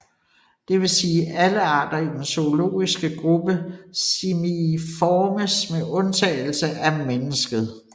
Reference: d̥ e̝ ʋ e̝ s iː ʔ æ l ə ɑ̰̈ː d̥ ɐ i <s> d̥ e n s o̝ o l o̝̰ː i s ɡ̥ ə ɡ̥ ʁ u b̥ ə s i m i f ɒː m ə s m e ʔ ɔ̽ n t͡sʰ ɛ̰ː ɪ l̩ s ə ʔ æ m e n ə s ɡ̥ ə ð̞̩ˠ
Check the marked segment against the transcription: incorrect: none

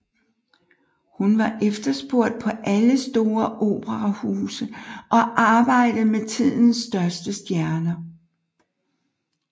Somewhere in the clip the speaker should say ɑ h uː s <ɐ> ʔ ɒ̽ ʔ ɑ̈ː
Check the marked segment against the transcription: incorrect: ə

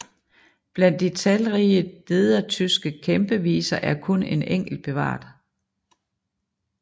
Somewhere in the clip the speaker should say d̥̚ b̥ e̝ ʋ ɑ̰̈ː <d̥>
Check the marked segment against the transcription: correct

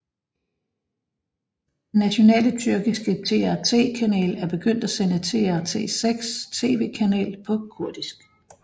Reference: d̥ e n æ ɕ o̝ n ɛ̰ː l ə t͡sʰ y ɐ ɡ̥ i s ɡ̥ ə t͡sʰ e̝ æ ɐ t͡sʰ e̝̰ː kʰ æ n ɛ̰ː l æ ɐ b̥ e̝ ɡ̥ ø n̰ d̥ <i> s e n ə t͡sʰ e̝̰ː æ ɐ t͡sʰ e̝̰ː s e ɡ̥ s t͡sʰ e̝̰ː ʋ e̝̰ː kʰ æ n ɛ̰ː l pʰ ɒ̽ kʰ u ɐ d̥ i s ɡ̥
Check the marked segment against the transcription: incorrect: æ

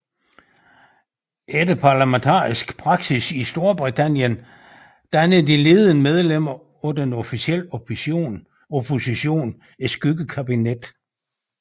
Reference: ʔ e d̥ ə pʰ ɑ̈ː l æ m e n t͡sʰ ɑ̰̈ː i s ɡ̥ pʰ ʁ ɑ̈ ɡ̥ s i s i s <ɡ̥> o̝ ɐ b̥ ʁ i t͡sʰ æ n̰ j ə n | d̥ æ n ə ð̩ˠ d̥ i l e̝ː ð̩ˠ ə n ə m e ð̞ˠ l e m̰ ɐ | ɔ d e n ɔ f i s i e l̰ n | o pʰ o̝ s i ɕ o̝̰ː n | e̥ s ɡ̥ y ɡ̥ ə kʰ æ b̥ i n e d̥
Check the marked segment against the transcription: incorrect: d̥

